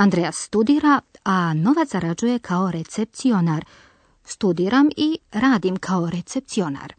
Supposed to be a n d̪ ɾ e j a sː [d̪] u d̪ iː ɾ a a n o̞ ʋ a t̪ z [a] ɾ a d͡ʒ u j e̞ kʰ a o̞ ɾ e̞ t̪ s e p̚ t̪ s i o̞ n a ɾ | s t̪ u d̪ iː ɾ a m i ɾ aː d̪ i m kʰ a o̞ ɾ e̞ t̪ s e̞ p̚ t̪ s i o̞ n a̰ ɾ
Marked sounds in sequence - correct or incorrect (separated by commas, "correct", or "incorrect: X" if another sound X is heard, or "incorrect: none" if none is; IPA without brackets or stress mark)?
incorrect: t̪, correct